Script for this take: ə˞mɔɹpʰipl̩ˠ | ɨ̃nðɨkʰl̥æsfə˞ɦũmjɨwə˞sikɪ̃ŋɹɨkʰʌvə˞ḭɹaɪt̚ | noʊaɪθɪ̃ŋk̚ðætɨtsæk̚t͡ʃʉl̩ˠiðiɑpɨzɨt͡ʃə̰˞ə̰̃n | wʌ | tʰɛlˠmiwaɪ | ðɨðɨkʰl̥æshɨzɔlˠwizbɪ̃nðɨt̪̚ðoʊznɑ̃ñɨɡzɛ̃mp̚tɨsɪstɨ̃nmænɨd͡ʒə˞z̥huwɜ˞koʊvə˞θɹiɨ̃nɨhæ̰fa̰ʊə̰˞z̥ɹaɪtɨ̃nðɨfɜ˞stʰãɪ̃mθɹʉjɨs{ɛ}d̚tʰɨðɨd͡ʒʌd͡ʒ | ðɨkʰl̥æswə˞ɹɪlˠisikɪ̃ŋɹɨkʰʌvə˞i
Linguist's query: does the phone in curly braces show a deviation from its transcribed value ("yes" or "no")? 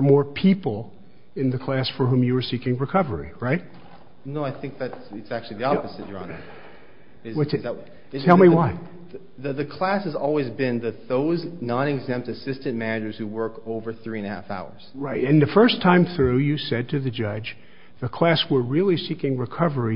no